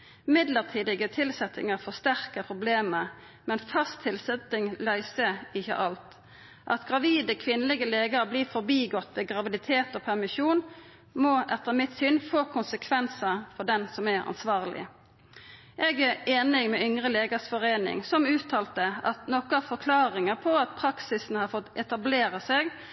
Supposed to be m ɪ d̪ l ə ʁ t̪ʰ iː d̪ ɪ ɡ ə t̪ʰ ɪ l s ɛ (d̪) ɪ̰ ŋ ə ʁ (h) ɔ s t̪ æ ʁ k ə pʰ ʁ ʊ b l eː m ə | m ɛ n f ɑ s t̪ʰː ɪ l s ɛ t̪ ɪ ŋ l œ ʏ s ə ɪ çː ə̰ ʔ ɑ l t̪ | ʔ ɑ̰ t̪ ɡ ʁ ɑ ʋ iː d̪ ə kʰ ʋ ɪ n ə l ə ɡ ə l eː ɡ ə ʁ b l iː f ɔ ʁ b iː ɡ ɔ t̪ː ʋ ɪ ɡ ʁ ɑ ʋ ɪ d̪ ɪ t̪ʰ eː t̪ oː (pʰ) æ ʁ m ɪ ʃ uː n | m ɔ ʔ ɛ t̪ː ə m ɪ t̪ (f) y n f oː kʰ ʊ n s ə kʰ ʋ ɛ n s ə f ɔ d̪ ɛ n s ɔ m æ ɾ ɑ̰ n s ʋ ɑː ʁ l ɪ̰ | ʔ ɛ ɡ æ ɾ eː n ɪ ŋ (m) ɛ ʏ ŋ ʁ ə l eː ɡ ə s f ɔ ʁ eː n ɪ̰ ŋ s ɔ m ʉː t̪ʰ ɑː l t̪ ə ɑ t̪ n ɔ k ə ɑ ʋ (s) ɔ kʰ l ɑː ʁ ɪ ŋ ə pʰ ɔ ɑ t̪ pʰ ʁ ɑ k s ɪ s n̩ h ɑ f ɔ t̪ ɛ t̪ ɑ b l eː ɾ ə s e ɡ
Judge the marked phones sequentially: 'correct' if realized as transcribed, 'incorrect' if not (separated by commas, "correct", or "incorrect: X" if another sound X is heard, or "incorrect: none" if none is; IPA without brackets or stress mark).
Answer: incorrect: t̪, incorrect: f, correct, incorrect: s, correct, incorrect: f